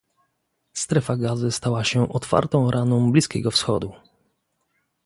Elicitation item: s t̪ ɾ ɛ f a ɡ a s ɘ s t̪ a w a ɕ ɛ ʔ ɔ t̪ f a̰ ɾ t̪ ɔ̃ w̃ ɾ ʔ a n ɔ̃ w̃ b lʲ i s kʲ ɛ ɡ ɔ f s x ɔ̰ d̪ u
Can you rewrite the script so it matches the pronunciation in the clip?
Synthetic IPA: s t̪ ɾ ɛ f a ɡ a z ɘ s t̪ a w a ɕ ɛ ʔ ɔ t̪ f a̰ ɾ t̪ ɔ̃ w̃ ɾ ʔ a n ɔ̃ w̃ b lʲ i s kʲ ɛ ɡ ɔ f s x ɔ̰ d̪ u